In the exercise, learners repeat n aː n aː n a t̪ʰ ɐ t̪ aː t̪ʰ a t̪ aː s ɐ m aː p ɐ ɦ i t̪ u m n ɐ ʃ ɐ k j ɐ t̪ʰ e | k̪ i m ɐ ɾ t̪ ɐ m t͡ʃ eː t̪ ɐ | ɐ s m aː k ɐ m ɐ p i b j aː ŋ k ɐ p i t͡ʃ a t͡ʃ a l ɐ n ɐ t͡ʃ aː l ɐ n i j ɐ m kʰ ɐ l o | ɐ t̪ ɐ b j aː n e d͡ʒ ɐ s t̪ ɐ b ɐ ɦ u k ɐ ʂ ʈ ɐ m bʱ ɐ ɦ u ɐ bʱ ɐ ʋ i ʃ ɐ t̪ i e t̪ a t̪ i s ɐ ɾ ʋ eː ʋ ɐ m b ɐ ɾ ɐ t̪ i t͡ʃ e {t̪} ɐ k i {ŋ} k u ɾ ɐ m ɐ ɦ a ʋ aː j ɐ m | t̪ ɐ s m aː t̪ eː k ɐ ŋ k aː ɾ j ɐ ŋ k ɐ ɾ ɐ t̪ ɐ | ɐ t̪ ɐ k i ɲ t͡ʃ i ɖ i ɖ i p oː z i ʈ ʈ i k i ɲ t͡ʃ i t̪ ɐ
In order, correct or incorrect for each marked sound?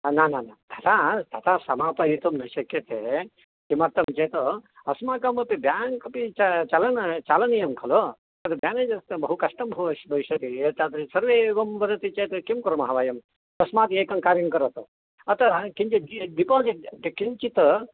correct, incorrect: m

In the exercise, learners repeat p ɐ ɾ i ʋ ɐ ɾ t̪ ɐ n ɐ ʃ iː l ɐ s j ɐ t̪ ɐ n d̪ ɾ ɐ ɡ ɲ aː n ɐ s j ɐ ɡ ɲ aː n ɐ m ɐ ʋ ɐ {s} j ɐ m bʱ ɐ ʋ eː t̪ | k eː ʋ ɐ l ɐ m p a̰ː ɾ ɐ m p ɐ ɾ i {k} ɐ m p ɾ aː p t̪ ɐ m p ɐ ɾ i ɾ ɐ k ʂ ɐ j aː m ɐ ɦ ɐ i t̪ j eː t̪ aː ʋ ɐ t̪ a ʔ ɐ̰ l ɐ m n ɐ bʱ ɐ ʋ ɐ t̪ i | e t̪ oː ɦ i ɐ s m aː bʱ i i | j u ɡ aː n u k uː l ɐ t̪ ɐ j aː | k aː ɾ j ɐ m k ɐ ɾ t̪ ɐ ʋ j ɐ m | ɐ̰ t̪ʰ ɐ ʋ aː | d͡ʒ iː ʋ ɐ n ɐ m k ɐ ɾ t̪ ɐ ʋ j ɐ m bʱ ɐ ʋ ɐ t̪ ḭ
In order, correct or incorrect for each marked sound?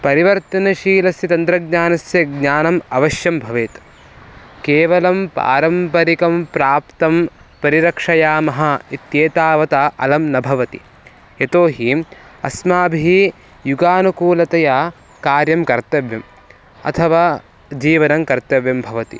incorrect: ʃ, correct

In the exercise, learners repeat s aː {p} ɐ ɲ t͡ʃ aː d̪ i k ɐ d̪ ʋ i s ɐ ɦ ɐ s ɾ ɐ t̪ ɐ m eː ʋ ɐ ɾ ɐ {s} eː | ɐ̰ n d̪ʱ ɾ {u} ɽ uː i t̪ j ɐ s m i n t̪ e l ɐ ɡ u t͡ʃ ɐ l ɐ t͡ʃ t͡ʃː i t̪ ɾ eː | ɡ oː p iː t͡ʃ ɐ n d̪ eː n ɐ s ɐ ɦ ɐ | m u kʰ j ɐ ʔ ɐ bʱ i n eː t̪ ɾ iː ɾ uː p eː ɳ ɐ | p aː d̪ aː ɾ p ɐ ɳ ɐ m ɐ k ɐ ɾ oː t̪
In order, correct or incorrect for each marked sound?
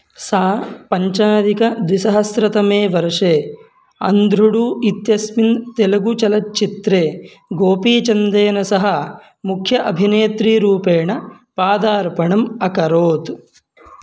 correct, incorrect: ʂ, correct

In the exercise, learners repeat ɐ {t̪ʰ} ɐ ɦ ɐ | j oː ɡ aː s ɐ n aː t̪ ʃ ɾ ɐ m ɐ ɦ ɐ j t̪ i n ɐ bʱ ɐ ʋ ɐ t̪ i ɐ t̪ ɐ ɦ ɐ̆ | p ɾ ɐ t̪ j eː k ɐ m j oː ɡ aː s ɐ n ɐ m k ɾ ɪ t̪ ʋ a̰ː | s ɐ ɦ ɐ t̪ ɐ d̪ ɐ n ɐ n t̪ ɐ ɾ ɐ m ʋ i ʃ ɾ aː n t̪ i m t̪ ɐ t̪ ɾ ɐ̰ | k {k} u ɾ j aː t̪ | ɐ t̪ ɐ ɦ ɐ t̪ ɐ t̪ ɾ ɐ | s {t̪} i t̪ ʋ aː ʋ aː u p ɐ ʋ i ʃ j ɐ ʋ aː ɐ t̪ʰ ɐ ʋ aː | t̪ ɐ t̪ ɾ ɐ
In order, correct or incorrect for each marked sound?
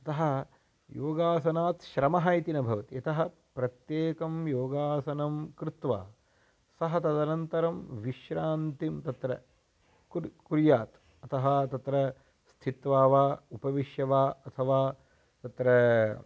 incorrect: t̪, correct, incorrect: t̪ʰ

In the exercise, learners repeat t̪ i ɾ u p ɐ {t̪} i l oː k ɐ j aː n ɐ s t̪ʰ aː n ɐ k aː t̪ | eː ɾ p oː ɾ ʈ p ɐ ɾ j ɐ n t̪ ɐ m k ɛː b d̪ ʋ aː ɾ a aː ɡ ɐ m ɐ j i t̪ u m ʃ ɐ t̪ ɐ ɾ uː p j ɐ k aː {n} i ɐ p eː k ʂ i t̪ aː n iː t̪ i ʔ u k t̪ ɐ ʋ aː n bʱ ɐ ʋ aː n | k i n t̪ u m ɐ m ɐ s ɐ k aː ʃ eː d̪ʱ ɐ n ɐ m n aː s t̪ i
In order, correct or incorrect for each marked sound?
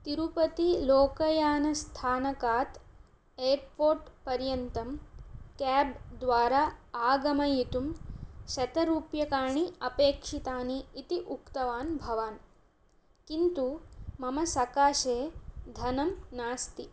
correct, incorrect: ɳ

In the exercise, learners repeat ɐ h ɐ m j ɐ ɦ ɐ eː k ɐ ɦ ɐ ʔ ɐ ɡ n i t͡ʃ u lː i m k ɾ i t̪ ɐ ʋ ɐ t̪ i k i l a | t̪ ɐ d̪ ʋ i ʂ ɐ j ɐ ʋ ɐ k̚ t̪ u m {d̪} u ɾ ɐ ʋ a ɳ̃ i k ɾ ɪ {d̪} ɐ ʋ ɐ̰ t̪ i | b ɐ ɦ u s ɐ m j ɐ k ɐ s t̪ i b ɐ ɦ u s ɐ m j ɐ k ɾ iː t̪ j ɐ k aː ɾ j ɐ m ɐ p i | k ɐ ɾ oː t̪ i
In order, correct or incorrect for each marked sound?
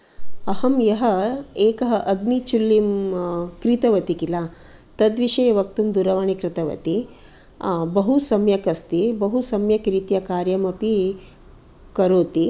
correct, incorrect: t̪

